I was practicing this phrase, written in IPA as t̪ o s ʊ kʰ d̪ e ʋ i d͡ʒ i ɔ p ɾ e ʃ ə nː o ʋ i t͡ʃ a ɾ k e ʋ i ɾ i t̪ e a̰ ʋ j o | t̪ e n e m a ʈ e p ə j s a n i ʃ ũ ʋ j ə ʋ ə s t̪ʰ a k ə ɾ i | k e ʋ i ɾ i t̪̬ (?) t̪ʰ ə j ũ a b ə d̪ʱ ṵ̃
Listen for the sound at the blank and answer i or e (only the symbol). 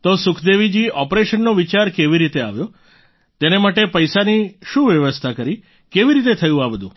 e